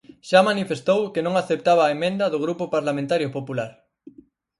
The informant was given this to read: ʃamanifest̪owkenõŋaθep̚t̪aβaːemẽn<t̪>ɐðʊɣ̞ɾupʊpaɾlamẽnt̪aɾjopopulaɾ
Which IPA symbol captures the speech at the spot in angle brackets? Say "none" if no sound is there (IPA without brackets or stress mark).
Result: d̪